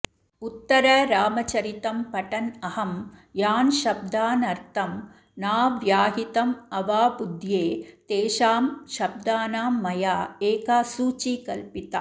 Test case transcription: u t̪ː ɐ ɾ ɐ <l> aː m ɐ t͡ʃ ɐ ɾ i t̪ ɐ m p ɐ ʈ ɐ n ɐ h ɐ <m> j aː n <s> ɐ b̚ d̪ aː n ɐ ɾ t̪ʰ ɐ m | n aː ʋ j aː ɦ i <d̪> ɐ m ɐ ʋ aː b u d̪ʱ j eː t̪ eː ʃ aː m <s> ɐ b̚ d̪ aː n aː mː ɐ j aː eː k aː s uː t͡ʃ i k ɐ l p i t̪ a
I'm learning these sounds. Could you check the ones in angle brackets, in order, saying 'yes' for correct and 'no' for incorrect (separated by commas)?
no, yes, no, no, no